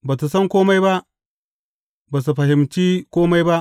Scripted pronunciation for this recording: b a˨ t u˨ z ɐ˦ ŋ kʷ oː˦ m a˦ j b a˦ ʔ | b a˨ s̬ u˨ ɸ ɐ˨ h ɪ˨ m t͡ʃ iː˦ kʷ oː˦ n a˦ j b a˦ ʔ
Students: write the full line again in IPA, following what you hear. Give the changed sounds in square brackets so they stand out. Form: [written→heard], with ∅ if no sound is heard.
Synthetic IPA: b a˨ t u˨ [z→s] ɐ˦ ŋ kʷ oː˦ m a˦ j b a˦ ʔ | b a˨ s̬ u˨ ɸ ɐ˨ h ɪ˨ m t͡ʃ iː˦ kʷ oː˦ [n→m] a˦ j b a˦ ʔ